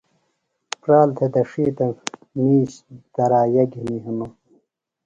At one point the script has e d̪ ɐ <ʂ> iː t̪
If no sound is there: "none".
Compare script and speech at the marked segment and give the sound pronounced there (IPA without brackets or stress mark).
ʂ